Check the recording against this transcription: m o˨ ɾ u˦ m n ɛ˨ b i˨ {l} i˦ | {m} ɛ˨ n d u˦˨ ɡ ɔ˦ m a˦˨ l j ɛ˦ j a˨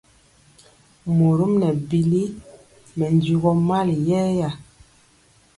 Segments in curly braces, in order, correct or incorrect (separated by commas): correct, correct